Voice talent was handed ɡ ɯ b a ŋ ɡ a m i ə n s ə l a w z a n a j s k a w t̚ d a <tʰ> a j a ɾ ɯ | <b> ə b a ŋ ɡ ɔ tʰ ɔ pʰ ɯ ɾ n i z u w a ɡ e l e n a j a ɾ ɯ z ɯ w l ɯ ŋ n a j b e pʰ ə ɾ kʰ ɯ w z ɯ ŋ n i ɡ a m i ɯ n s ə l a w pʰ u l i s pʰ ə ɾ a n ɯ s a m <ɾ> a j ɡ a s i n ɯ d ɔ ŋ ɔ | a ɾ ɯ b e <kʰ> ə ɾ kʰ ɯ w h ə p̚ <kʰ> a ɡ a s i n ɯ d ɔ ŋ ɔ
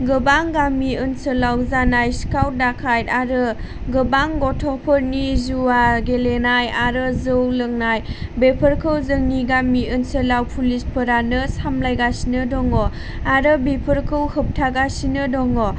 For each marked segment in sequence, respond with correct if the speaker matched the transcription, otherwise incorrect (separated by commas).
incorrect, incorrect, incorrect, incorrect, incorrect